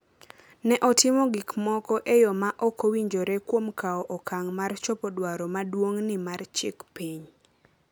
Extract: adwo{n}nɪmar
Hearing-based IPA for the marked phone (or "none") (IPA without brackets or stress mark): ŋ